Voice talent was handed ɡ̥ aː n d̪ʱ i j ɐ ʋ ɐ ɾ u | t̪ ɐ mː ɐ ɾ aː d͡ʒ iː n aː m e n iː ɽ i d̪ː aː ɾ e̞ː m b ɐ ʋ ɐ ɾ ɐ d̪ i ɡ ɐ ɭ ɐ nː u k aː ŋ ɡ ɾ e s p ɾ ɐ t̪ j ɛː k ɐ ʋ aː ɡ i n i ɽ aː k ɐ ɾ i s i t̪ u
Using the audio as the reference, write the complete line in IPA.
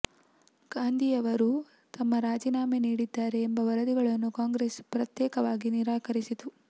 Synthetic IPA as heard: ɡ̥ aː n d̪ʱ i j ɐ ʋ ɐ ɾ u | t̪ ɐ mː ɐ ɾ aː d͡ʒ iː n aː m e n iː ɽ i d̪ː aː ɾ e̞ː m b ɐ ʋ ɐ ɾ ɐ d̪ i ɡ ɐ ɭ ɐ nː u k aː ŋ ɡ ɾ e s p ɾ ɐ t̪ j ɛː k ɐ ʋ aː ɡ i n i ɾ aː k ɐ ɾ i s i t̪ u